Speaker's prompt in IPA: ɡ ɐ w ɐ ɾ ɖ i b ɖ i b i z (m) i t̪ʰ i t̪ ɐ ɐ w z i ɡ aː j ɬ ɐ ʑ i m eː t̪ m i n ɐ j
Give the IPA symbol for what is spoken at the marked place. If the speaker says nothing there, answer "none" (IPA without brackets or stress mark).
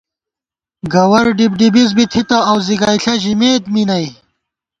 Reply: b